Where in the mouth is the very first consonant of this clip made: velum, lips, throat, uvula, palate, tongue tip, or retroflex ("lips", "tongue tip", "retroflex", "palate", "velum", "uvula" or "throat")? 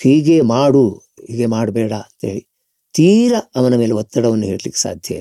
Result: throat